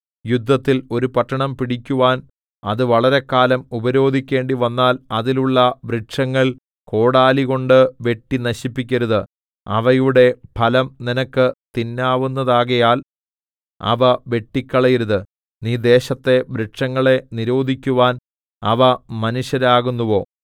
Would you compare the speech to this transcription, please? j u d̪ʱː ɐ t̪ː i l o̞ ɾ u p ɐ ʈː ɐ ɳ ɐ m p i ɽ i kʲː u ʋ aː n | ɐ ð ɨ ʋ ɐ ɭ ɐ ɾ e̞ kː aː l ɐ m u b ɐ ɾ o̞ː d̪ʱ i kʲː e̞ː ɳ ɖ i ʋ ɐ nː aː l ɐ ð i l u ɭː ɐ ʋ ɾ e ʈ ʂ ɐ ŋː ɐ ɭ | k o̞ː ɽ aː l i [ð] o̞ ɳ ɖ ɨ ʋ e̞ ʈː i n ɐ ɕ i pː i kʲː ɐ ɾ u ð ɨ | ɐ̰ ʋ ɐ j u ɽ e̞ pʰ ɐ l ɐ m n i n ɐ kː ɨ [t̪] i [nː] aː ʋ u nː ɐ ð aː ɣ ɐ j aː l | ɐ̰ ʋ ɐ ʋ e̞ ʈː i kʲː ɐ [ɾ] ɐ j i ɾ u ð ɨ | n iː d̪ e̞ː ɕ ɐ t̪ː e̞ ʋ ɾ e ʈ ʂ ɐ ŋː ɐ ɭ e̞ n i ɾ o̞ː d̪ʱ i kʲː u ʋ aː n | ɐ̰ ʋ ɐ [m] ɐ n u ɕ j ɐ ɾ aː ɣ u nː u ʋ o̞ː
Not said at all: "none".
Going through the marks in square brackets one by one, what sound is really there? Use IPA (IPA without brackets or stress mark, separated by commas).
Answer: ɣ, t̪, nː, ɭ, m